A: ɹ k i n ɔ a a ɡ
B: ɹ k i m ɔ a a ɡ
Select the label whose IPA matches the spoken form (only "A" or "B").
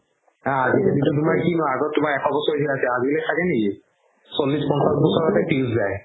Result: A